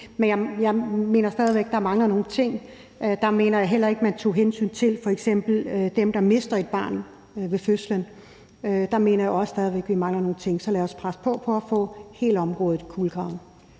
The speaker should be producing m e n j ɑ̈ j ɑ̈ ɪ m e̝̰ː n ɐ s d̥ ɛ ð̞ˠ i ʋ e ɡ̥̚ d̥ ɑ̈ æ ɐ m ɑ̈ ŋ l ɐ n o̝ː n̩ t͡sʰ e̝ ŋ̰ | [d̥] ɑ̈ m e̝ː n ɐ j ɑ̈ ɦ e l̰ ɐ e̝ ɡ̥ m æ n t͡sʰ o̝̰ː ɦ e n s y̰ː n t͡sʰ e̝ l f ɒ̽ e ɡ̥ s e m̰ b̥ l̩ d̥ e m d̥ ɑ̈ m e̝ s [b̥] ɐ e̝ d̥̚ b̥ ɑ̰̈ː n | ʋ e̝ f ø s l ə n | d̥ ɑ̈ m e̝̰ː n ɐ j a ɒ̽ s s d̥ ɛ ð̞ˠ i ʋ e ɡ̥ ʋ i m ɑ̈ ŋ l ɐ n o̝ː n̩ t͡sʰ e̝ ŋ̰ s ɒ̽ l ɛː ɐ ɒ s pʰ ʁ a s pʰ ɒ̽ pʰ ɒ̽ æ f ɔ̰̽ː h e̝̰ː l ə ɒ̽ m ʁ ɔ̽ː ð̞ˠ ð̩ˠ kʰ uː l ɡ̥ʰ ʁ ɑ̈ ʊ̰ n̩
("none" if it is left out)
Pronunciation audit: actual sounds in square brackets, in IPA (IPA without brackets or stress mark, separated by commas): d̥, d̥